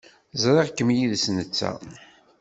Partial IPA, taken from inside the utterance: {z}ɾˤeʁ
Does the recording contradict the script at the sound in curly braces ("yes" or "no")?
no